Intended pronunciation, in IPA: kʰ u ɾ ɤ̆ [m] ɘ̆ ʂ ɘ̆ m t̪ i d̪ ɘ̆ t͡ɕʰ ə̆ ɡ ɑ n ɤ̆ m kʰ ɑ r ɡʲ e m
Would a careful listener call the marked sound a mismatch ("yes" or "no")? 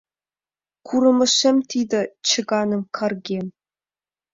no